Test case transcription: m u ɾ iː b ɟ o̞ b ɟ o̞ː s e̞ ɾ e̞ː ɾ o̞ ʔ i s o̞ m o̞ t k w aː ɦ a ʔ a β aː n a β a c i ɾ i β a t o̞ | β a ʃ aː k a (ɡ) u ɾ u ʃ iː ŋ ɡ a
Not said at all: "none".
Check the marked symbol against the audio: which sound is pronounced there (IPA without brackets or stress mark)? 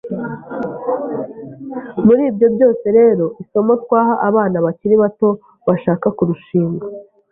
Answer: k